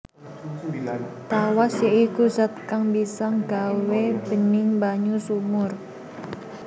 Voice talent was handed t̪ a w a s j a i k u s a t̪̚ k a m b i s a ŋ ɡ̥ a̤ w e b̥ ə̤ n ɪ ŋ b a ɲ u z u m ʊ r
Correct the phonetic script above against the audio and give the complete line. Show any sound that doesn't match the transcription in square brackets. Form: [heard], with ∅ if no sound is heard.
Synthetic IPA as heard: t̪ a w a s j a i k u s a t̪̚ k a [ŋ] b i s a ŋ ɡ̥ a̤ w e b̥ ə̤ n ɪ ŋ b a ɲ u [s] u m ʊ r